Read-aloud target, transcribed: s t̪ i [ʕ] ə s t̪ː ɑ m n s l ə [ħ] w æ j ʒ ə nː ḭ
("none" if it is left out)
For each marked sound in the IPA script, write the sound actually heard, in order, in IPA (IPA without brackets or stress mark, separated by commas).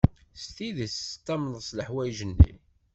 ð, ħ